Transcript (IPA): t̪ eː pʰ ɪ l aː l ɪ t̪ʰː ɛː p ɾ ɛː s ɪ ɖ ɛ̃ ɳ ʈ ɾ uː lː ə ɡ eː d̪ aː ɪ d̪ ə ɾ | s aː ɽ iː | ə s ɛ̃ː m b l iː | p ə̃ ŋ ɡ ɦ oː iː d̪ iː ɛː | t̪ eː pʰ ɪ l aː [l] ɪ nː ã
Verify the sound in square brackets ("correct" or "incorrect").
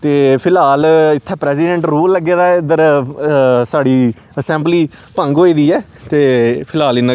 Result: correct